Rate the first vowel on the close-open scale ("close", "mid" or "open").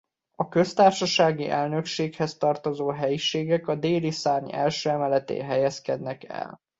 open